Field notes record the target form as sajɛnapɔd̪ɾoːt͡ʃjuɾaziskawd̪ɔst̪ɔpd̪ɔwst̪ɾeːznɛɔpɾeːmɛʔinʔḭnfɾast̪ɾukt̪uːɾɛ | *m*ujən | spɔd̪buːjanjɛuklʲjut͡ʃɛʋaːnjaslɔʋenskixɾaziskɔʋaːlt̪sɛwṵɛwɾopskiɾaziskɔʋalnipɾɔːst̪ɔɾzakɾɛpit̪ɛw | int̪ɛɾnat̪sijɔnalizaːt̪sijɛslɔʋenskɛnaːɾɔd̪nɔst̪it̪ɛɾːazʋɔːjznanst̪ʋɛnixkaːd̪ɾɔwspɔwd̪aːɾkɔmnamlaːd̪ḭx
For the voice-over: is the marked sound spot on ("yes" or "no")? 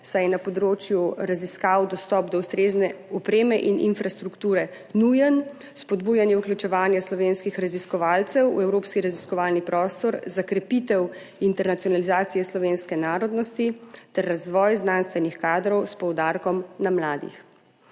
no